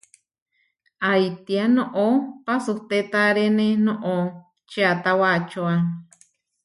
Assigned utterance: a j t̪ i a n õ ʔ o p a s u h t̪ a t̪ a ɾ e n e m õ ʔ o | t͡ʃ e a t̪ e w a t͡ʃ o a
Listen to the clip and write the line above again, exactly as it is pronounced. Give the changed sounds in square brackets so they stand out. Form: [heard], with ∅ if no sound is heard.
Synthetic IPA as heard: a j t̪ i a n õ ʔ o p a s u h t̪ [e] t̪ a ɾ e n e [n] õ ʔ o | t͡ʃ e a t̪ [a] w a t͡ʃ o a